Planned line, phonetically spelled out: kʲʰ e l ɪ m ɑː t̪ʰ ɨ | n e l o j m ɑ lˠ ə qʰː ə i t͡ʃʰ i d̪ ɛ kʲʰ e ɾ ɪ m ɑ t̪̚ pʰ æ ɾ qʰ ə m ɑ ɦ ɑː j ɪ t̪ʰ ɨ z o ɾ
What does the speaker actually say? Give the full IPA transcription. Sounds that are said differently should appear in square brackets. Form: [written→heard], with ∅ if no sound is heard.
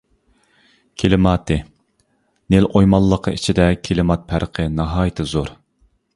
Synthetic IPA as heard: kʲʰ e l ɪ m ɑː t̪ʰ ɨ | n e l o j m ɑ [lˠ→lˠː] ə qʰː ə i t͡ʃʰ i d̪ ɛ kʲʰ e [ɾ→l] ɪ m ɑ t̪̚ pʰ æ ɾ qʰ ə [m→n] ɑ ɦ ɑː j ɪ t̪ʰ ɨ z o ɾ